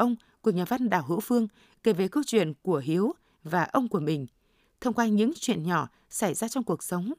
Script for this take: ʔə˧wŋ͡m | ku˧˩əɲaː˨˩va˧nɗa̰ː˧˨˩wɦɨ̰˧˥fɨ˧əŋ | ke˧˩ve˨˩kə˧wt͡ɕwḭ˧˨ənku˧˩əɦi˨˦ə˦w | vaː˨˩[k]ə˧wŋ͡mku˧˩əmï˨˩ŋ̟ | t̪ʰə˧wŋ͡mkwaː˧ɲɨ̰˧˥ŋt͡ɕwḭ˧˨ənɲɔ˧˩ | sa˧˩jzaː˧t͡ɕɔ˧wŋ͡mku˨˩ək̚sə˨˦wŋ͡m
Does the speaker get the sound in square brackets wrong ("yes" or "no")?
yes